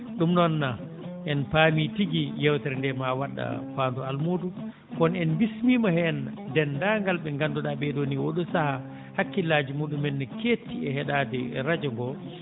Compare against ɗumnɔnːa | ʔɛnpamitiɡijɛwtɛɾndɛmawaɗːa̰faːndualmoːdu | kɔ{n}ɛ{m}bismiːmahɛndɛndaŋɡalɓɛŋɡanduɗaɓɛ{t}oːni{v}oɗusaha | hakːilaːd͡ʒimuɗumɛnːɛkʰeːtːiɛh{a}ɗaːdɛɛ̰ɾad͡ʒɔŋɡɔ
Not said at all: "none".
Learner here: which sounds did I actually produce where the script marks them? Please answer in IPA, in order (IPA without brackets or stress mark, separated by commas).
n, n, d, w, ɛ